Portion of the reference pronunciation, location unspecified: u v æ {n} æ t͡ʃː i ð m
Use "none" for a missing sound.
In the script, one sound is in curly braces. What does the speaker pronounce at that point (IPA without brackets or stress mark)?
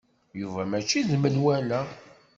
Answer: m